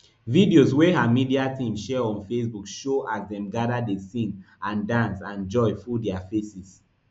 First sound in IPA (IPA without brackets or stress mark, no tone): v